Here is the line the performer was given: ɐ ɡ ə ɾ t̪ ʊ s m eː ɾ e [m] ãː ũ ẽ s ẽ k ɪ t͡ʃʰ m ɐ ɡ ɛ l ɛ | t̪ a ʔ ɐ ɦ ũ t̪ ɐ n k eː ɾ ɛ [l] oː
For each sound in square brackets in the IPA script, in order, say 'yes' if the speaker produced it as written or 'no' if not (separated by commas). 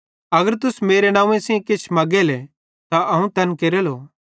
no, yes